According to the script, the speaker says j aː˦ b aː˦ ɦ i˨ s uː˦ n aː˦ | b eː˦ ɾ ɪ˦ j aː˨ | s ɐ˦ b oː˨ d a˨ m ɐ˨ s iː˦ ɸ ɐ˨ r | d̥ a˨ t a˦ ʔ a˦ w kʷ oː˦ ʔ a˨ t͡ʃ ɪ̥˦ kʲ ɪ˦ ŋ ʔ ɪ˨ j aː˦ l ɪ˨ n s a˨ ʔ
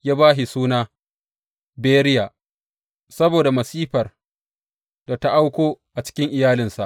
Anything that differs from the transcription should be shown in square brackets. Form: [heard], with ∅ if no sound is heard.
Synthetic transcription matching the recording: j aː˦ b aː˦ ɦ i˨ s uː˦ n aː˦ | b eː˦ ɾ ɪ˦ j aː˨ | s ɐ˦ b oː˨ d a˨ m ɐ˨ s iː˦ ɸ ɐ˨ r | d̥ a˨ t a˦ ʔ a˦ w kʷ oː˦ ʔ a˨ t͡ʃ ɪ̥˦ kʲ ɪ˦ ŋ ʔ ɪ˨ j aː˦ l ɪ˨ n s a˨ ʔ